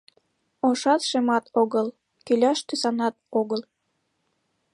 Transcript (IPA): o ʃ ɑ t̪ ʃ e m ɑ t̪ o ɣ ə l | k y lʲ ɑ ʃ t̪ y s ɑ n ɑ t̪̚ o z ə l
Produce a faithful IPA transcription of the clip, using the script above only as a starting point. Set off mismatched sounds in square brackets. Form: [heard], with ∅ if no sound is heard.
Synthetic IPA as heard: o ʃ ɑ t̪ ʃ e m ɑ t̪ o ɣ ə l | k y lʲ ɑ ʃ t̪ y s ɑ n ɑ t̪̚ o [ɣ] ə l